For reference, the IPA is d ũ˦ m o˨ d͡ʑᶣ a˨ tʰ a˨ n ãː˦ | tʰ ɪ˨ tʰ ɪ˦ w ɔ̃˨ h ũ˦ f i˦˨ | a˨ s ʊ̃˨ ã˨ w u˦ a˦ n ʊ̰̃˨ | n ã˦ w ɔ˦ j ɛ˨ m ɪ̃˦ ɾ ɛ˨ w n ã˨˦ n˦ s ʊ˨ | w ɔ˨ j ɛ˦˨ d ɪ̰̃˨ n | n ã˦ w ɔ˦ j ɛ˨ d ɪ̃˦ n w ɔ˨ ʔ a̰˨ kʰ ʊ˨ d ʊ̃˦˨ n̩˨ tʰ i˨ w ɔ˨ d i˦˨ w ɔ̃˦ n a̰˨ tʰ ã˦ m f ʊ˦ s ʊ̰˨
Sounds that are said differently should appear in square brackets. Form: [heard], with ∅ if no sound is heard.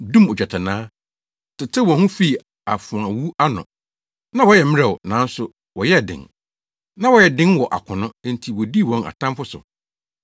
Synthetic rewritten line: d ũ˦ m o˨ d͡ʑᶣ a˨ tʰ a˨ n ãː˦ | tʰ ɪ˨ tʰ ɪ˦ w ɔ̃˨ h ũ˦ f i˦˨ | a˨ [f] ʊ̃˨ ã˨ w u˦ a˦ n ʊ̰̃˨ | n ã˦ w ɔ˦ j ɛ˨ m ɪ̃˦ ɾ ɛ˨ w n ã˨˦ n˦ s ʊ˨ | w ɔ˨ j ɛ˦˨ d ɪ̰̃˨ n | n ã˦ w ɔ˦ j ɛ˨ d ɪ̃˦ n w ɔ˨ ʔ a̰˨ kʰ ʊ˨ [n] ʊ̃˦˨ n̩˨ tʰ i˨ w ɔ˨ d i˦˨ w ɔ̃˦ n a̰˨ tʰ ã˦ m f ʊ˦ s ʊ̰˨